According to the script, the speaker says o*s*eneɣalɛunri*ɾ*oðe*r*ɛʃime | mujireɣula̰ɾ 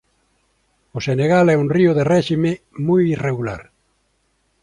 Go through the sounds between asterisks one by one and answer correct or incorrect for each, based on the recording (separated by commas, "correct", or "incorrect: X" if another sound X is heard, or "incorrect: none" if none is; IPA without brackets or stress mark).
correct, incorrect: none, correct